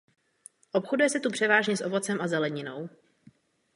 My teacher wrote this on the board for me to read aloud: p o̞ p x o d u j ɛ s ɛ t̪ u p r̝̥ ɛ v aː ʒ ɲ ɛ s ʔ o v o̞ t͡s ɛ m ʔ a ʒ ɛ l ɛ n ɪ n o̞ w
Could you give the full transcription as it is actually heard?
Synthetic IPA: ʔ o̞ p x o d u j ɛ s ɛ t̪ u p r̝̥ ɛ v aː ʒ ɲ ɛ s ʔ o v o̞ t͡s ɛ m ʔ a z ɛ l ɛ ɲ ɪ n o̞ w